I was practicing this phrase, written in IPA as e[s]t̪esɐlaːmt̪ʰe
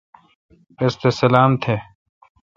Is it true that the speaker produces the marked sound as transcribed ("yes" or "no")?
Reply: yes